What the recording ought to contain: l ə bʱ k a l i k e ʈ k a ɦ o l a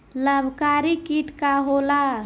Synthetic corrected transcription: l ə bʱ k a ɾ i k i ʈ k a ɦ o l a